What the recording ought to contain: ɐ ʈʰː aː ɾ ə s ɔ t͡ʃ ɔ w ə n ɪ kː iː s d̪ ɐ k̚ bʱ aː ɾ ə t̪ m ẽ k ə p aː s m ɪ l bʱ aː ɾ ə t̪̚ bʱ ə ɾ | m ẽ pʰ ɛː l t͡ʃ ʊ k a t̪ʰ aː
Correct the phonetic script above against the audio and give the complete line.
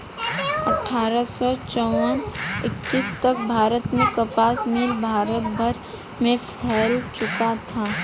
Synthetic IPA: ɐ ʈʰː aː ɾ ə s ɔ t͡ʃ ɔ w ə n ɪ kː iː s t̪ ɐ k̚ bʱ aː ɾ ə t̪ m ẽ k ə p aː s m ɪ l bʱ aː ɾ ə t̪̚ bʱ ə ɾ | m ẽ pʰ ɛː l t͡ʃ ʊ k a t̪ʰ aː